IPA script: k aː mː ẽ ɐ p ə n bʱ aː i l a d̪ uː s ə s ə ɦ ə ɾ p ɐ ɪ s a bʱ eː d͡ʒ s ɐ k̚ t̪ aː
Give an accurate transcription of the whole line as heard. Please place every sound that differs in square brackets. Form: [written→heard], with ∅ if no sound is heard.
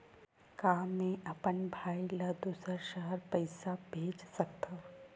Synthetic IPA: k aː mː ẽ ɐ p ə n bʱ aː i l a d̪ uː s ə [s→ʃ] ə ɦ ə ɾ p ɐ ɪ s a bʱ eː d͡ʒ s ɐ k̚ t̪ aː

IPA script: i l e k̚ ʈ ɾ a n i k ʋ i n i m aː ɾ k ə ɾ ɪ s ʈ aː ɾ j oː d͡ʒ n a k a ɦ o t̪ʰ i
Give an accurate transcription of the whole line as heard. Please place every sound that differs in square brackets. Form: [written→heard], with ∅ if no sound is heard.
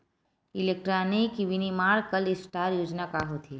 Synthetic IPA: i l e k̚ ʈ ɾ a n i k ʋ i n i m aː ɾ k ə [ɾ→l] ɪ s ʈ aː ɾ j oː d͡ʒ n a k a ɦ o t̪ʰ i

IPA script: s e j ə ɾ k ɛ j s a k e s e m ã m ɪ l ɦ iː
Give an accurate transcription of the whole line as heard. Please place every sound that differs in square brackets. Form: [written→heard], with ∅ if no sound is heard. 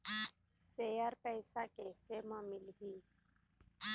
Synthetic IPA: s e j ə ɾ [k→p] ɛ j s a k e s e m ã m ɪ l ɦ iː

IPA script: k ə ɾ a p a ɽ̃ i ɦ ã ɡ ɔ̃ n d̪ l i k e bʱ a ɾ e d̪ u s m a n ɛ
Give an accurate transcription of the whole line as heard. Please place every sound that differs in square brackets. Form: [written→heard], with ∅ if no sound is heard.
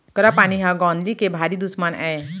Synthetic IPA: k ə ɾ a p a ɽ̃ i ɦ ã ɡ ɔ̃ n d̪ l i k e bʱ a ɾ [e→i] d̪ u s m a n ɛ

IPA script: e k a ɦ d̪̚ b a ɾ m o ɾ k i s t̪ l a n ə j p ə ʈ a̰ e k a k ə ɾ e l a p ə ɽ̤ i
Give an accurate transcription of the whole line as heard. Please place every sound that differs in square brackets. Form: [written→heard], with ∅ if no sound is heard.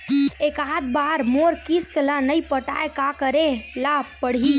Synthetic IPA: e k a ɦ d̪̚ b a ɾ m o ɾ k i s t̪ l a n ə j p ə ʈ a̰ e k a k ə ɾ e l a p ə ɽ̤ i

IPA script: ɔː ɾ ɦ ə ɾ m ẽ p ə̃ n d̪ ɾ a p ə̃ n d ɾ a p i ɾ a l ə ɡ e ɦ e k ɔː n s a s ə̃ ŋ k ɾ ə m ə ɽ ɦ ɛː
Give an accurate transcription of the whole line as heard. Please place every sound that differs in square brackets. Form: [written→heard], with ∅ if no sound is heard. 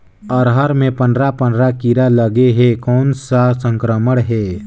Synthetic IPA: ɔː ɾ ɦ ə ɾ m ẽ p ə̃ n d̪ ɾ a p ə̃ n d ɾ a [p→k] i ɾ a l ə ɡ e ɦ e k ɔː n s a s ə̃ ŋ k ɾ ə m ə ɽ ɦ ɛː

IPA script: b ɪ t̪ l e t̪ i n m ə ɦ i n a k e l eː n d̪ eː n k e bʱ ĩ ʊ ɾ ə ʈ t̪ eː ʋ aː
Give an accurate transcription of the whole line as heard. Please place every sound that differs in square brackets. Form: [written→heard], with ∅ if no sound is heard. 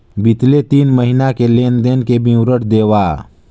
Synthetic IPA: b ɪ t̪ l e t̪ [i→iː] n m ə ɦ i n a k e l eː n d̪ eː n k e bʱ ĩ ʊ ɾ ə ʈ [t̪→d̪] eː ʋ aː

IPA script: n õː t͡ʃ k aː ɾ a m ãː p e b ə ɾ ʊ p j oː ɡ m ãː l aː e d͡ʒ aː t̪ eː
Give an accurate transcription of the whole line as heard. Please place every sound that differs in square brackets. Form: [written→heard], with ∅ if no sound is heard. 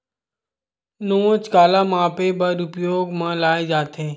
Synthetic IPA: n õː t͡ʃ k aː [ɾ→l] a m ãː p e b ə ɾ ʊ p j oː ɡ m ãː l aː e d͡ʒ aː t̪ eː

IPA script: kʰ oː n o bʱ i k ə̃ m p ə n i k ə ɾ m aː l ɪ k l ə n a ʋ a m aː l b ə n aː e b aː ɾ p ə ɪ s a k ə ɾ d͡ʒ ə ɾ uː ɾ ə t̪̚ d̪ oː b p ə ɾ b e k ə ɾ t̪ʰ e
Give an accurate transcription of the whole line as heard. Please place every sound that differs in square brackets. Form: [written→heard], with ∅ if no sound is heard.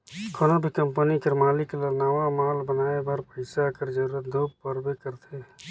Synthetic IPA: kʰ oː n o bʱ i k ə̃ m p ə n i k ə ɾ m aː l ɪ k l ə n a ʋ a m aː l b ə n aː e b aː ɾ p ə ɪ s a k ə ɾ d͡ʒ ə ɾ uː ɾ ə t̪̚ d̪ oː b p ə ɾ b e k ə ɾ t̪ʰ e

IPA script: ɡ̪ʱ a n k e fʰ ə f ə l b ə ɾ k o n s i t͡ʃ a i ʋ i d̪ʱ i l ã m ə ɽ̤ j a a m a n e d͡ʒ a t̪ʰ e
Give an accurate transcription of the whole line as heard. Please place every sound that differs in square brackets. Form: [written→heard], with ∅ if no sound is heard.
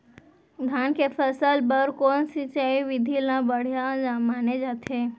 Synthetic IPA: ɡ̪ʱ a n k e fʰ ə [f→s] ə l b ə ɾ k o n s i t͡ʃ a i ʋ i d̪ʱ i l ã [m→b] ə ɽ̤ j a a m a n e d͡ʒ a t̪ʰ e

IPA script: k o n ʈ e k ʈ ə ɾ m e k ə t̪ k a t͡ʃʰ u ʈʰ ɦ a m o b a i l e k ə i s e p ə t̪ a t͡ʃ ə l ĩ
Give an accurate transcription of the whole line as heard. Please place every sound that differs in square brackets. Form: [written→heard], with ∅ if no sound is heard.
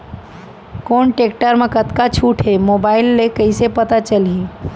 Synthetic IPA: k o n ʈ e k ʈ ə ɾ m e k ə t̪ k a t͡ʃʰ u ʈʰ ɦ [a→e] m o b a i [l→lː] e k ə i s e p ə t̪ a t͡ʃ ə l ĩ

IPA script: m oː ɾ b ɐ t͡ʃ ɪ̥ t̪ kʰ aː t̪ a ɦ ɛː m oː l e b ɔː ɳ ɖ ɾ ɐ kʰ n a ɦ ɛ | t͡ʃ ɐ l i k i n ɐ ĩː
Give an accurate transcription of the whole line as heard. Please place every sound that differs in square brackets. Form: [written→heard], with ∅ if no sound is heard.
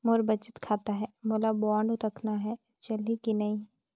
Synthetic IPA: m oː ɾ b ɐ t͡ʃ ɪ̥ t̪ kʰ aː t̪ a ɦ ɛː m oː l [e→a] b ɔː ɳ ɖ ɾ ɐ kʰ n a ɦ ɛ | t͡ʃ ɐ l i k i n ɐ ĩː

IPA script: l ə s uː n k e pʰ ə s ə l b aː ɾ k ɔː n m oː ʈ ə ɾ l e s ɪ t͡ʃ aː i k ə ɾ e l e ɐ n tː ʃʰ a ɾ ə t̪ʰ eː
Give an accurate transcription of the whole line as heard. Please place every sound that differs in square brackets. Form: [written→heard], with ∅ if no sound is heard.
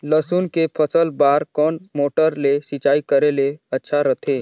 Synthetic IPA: l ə s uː n k e pʰ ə s ə l b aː ɾ k ɔː n m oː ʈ ə ɾ l e s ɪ t͡ʃ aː i k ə ɾ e l e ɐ [n→∅] tː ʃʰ a ɾ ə t̪ʰ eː

